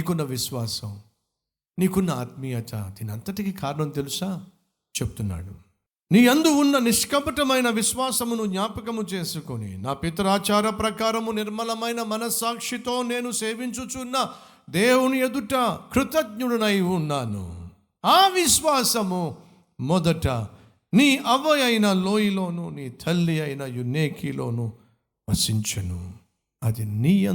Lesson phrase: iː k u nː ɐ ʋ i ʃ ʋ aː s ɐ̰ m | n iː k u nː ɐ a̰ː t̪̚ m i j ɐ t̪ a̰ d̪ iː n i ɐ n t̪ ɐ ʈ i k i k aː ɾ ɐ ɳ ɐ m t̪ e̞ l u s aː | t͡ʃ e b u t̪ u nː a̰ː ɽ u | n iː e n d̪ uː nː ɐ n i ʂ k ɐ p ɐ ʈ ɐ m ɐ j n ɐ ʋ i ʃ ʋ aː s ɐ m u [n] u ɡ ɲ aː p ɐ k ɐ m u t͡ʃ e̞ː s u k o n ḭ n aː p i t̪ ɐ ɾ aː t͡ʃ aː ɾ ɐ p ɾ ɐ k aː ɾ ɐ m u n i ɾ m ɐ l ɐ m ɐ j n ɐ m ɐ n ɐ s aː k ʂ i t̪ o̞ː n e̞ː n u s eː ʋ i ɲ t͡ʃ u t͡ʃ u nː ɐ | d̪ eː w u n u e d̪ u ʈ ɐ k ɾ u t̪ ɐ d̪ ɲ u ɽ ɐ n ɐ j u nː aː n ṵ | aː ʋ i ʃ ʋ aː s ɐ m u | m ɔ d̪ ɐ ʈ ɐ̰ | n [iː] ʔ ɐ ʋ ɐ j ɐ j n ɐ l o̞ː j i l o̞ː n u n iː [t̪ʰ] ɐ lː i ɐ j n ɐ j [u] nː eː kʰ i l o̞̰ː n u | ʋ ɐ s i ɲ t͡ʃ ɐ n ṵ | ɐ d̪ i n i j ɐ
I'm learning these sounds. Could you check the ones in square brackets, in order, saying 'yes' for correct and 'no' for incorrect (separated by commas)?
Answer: yes, yes, yes, yes